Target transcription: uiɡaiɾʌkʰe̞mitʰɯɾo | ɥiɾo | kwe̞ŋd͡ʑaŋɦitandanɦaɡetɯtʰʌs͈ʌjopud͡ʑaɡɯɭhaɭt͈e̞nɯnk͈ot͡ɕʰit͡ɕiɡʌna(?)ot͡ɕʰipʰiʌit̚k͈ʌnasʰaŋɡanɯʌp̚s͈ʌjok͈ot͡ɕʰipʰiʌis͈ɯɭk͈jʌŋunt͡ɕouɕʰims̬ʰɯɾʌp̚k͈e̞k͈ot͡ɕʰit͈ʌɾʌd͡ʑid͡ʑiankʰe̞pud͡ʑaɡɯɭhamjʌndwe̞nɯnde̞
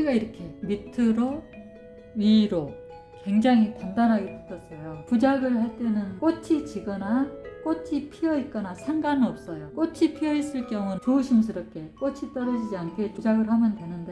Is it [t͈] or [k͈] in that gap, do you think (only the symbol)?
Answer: k͈